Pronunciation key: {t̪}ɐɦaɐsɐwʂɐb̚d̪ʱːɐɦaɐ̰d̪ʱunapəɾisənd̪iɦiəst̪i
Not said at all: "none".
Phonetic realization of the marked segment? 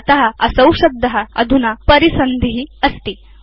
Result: t̪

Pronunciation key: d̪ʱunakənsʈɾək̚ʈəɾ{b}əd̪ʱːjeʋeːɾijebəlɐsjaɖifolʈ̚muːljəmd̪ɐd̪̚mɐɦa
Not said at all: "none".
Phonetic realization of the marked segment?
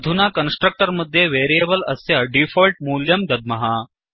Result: m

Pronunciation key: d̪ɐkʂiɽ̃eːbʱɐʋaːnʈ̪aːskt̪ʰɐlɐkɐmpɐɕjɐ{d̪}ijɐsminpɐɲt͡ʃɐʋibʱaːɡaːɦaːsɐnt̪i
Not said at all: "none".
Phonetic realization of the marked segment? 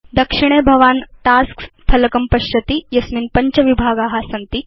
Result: t̪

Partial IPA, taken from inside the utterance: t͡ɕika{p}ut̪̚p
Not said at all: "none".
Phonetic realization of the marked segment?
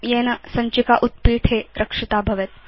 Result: ʔ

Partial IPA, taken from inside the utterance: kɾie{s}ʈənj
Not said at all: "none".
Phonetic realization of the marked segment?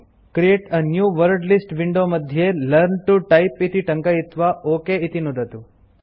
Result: none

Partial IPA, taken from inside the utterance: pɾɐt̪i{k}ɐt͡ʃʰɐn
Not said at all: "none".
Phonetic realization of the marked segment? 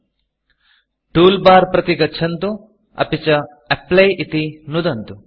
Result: ɡ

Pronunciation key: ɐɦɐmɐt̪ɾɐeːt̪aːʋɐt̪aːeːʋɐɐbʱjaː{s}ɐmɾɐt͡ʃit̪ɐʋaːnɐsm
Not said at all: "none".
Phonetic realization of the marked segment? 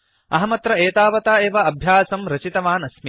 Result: s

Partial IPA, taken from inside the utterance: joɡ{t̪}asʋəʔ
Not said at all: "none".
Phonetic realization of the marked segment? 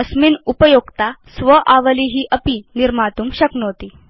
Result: t̪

